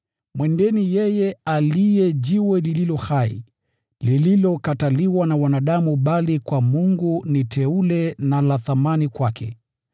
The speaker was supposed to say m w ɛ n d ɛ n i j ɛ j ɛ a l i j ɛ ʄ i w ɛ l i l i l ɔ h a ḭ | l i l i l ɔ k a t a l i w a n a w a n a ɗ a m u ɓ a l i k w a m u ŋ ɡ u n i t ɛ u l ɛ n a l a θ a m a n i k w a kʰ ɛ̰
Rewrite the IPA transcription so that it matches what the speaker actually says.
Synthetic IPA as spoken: m w ɛ n d ɛ n i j ɛ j ɛ a l i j ɛ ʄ i w ɛ l i l i l ɔ h a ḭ | l i l i l ɔ k a t a l i w a n a w a n a ɗ a m u ɓ a l i k w a m u ŋ ɡ u n i t ɛ u l ɛ n a l a θ a m a n i k w a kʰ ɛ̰

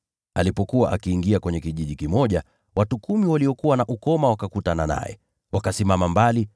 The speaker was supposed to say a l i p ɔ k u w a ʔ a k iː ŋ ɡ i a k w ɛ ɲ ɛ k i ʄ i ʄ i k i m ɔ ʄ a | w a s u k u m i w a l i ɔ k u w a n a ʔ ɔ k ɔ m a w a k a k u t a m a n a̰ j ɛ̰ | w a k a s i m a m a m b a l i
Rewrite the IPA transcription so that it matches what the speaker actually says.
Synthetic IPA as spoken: a l i p ɔ k u w a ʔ a k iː ŋ ɡ i a k w ɛ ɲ ɛ k i ʄ i ʄ i k i m ɔ ʄ a | w a t u k u m i w a l i ɔ k u w a n a ʔ u k ɔ m a w a k a k u t a n a n a̰ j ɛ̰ | w a k a s i m a m a m b a l i

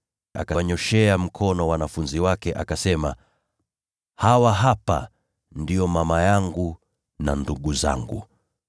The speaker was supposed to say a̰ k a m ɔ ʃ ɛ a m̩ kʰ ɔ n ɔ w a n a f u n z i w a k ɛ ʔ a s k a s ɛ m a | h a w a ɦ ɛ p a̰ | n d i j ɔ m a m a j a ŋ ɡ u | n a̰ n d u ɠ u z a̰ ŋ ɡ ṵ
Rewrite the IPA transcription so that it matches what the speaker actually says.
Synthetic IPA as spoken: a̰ k a ɲ ɔ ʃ ɛ a m̩ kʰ ɔ n ɔ w a n a f u n z i w a k ɛ ʔ a k a s ɛ m a | h a w a ɦ a p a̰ | n d i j ɔ m a m a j a ŋ ɡ u | n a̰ n d u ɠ u z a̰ ŋ ɡ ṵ

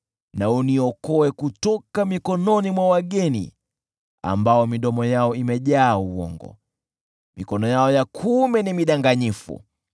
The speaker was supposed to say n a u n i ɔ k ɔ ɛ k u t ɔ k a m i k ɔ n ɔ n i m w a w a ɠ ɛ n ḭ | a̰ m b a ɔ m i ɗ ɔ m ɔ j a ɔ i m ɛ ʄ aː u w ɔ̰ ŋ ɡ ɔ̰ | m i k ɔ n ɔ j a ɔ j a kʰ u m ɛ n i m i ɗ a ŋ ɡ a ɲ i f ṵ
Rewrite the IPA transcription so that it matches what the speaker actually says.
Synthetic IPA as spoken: n a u n i ɔ k ɔ ɛ k u t ɔ k a m i k ɔ n ɔ n i m w a w a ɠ ɛ n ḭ | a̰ m b a ɔ m i ɗ ɔ m ɔ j a ɔ i m ɛ ʄ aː u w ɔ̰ ŋ ɡ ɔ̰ | m i k ɔ n ɔ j a ɔ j a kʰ u m ɛ n i m i ɗ a ŋ ɡ a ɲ i f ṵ

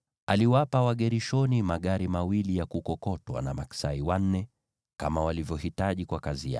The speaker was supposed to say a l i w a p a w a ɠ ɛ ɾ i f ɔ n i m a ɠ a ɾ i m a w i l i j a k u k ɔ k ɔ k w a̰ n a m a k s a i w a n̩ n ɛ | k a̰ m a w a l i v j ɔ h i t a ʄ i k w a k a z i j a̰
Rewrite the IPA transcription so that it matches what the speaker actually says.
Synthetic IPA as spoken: a l i w a p a w a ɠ ɛ ɾ i ʃ ɔ n i m a ɠ a ɾ i m a w i l i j a k u k ɔ k ɔ t w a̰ n a m a k s a i w a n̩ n ɛ | k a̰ m a w a l i v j ɔ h i t a ʄ i k w a k a z i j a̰

